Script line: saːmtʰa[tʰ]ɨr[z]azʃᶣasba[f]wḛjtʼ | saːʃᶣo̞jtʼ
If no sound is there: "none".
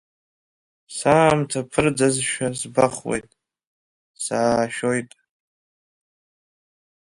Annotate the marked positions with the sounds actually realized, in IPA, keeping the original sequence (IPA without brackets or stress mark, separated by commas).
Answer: pʰ, d͡z, χ